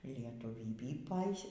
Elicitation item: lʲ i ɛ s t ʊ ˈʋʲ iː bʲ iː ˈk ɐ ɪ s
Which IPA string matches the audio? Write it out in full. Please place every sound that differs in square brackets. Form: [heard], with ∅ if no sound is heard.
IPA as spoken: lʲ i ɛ [∅] t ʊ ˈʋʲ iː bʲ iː [ˈp] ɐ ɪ s